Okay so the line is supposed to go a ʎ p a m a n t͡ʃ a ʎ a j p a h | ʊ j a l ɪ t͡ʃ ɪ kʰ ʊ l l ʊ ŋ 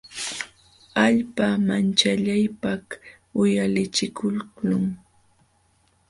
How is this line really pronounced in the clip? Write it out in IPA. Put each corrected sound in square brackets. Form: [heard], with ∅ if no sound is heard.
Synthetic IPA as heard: a ʎ p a m a n t͡ʃ a ʎ a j p a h | ʊ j a l ɪ t͡ʃ ɪ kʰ ʊ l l ʊ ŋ